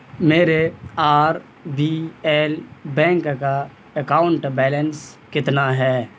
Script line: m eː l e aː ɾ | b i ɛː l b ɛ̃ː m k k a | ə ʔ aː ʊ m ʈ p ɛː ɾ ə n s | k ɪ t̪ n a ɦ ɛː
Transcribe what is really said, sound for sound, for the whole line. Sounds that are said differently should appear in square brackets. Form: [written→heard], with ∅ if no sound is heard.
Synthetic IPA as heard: m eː [l→ɾ] e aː ɾ | b i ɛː l b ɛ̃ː [m→ŋ] k k a | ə [ʔ→k] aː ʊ [m→ɳ] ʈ [p→b] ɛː [ɾ→l] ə n s | k ɪ t̪ n a ɦ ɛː